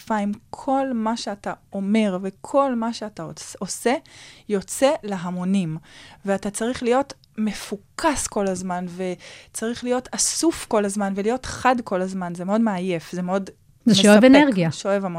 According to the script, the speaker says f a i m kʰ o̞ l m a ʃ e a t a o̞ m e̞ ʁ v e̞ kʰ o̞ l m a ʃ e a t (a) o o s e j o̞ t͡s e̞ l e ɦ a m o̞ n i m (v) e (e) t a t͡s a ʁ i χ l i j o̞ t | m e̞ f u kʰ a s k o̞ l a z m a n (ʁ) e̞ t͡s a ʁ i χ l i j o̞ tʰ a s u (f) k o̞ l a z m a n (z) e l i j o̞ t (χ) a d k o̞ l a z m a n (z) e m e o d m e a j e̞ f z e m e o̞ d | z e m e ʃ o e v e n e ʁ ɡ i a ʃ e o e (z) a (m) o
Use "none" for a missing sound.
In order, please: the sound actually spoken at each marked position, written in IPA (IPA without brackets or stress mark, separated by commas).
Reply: a, v, a, v, f, v, χ, z, v, m